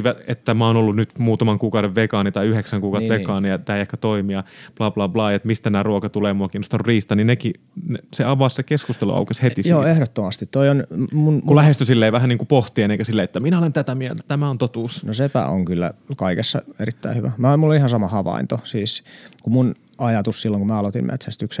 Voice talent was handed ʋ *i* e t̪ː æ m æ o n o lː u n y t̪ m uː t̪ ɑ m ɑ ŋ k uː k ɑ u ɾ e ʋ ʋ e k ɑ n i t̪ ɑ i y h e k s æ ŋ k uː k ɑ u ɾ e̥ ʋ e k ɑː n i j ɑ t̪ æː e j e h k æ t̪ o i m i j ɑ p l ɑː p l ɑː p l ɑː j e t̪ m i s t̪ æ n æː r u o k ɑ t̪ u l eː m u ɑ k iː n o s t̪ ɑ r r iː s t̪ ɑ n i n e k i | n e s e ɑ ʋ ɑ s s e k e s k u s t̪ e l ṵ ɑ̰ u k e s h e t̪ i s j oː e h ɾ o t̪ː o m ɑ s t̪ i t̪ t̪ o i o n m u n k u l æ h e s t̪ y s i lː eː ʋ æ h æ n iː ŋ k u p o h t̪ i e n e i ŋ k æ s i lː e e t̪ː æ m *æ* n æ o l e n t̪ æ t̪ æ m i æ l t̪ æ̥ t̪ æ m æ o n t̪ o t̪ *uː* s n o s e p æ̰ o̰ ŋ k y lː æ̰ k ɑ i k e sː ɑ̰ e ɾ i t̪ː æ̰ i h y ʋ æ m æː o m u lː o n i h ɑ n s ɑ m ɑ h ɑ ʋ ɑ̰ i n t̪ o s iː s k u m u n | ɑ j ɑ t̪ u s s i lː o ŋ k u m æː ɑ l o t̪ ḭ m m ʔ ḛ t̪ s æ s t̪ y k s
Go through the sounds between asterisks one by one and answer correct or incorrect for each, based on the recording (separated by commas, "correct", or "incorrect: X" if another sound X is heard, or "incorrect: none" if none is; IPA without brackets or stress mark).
incorrect: æ, incorrect: i, correct